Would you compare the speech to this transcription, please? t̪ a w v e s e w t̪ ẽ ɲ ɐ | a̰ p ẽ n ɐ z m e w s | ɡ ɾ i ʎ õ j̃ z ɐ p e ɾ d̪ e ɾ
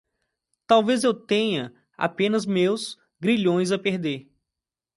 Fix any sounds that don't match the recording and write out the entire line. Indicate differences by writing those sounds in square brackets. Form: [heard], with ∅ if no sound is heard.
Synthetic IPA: t̪ a w v e [z] e w t̪ ẽ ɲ ɐ | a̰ p ẽ n ɐ z m e w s | ɡ ɾ i ʎ õ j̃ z ɐ p e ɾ d̪ e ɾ

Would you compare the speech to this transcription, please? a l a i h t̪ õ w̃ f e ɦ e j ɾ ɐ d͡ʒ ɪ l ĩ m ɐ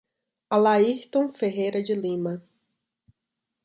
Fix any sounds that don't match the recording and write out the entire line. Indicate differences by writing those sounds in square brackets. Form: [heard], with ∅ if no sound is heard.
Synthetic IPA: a l a i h t̪ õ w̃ f e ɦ e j ɾ ɐ d͡ʒ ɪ l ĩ m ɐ

